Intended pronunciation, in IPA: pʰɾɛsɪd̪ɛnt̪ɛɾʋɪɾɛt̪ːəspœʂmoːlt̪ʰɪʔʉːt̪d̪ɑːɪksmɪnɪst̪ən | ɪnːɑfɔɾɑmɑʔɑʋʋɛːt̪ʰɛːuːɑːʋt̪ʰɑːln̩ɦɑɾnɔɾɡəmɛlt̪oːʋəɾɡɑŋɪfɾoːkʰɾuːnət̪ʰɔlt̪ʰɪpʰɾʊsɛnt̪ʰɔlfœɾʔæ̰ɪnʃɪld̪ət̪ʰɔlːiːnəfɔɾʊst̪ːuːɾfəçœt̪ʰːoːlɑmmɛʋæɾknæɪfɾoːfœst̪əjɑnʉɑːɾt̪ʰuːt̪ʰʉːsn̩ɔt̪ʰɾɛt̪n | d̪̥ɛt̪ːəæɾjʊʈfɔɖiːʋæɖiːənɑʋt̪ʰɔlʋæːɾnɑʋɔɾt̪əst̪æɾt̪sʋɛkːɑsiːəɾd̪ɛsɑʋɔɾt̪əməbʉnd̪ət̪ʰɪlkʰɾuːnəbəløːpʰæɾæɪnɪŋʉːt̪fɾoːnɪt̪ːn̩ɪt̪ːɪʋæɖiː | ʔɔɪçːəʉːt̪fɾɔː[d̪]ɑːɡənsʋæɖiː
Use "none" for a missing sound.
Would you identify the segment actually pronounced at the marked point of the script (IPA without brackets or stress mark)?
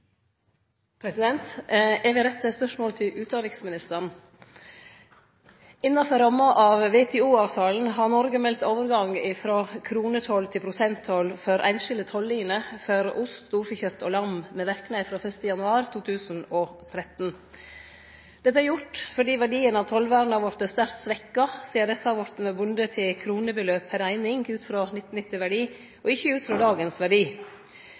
d̪